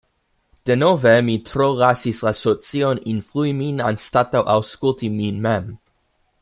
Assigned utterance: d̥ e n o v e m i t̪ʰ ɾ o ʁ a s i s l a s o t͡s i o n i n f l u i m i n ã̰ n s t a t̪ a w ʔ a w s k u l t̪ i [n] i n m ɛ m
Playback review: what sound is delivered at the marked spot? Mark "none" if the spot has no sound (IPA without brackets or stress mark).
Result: m